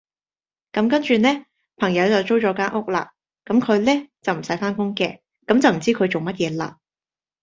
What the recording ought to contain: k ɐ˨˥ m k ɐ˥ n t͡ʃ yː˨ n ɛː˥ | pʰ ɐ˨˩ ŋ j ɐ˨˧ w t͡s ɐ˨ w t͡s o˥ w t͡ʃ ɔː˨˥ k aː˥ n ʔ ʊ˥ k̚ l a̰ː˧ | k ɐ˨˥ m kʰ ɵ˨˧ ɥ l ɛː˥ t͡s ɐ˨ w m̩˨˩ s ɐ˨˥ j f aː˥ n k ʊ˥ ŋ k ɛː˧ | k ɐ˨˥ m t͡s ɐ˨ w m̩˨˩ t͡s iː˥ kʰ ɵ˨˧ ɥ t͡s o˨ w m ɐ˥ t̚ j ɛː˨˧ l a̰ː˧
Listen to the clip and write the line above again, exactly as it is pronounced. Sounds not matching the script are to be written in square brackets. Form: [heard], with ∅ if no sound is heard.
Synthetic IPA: k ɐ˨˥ m k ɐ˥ n t͡ʃ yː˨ n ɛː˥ | pʰ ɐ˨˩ ŋ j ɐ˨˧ w t͡s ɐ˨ w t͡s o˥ w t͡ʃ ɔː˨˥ k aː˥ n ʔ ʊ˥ k̚ l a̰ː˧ | k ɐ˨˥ m kʰ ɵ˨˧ ɥ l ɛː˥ t͡s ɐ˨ w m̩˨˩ s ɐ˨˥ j f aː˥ n k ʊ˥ ŋ k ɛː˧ | k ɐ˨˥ m t͡s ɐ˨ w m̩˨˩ t͡s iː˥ kʰ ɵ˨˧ ɥ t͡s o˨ w m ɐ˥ t̚ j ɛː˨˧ l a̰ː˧